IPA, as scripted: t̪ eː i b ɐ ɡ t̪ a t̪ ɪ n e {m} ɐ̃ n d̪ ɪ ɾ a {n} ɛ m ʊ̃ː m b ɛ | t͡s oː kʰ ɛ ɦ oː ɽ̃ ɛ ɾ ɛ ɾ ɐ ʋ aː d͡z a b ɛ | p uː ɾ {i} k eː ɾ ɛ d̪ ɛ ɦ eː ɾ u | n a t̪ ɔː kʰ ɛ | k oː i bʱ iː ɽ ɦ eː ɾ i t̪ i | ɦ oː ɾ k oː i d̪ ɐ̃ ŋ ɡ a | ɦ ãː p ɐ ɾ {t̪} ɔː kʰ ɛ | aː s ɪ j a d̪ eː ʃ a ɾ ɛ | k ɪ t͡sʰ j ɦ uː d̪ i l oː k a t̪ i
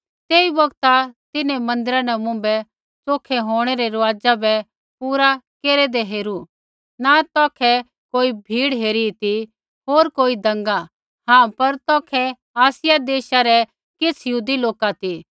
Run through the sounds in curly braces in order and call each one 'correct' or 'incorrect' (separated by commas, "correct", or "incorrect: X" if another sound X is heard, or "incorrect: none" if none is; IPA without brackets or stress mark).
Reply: correct, correct, incorrect: a, correct